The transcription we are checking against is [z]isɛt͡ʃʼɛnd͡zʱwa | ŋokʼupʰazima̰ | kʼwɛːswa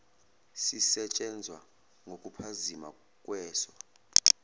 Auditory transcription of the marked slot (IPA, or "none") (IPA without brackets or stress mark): s